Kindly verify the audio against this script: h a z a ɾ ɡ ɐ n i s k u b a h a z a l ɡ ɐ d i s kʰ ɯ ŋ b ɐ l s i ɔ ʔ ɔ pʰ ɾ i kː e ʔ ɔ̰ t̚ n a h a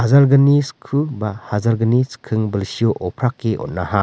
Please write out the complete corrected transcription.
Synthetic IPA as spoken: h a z a ɾ ɡ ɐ n i s kʰ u b a h a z a ɾ ɡ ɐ n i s kʰ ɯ ŋ b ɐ l s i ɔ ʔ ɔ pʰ ɾ a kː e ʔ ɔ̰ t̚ n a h a